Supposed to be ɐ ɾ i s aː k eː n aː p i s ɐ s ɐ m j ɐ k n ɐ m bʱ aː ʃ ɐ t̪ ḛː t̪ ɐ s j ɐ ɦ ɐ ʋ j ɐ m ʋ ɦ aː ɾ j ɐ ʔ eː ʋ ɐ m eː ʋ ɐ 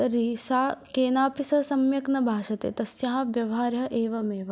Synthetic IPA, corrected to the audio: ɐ ɾ i s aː k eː n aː p i s ɐ s ɐ m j ɐ k n ɐ bʱ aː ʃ ɐ t̪ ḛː t̪ ɐ s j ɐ ɦ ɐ ʋ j ɐ ʋ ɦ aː ɾ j ɐ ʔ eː ʋ ɐ m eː ʋ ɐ